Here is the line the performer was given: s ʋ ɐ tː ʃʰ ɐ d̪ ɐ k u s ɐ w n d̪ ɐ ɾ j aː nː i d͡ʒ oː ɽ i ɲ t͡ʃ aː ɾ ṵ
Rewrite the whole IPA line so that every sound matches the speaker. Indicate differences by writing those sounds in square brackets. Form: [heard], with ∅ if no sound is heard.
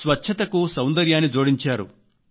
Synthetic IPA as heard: s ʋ ɐ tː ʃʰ ɐ [t̪] ɐ k u s ɐ w n d̪ ɐ ɾ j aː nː i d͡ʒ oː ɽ i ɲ t͡ʃ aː ɾ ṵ